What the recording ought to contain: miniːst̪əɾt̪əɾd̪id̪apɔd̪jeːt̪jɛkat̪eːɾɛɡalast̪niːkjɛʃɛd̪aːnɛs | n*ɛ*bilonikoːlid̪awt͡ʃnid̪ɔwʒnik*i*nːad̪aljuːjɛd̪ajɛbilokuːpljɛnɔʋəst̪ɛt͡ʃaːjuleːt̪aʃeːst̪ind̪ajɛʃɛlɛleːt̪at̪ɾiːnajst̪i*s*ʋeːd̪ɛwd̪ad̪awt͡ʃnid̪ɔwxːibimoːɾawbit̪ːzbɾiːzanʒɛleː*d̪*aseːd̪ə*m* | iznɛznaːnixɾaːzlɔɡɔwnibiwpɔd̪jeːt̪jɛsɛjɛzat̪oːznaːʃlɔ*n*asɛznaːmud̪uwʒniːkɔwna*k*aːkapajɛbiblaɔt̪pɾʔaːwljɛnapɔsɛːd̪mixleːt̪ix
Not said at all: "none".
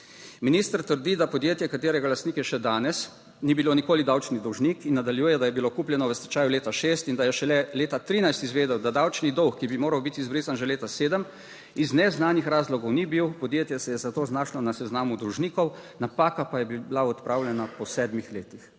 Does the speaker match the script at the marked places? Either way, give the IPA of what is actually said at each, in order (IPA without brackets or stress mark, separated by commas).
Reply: i, i, z, t̪, m, n, p